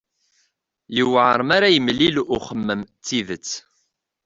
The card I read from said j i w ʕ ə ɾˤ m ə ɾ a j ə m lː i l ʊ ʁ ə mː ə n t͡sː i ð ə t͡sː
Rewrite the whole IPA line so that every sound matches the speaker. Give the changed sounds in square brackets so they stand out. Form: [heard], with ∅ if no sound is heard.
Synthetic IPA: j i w ʕ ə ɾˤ m [a] ɾ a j ə m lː i l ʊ [χ] ə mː ə [m] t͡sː i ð ə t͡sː